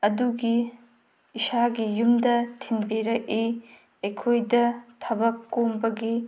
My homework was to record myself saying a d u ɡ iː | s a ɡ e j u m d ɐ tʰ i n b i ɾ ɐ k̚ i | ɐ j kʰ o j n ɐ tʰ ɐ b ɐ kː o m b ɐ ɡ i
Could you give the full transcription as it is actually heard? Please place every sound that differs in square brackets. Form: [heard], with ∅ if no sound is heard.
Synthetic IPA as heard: [ɐ] d u ɡ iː | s a ɡ [i] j u m d ɐ tʰ i n b i ɾ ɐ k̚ i | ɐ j kʰ o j [d] ɐ tʰ ɐ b ɐ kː o m b ɐ ɡ i